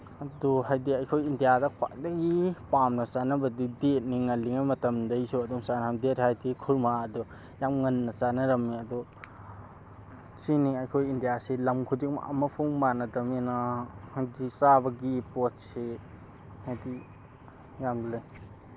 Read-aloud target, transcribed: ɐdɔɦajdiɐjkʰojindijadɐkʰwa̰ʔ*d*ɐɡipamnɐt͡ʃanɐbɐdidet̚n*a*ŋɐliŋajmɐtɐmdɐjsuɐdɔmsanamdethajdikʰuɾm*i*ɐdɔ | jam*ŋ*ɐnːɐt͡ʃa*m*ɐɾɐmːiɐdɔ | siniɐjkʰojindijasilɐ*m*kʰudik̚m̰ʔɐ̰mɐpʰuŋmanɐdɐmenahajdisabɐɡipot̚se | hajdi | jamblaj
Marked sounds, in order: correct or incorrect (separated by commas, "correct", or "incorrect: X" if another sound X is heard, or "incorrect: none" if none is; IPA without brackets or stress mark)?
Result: correct, incorrect: i, incorrect: a, correct, incorrect: n, correct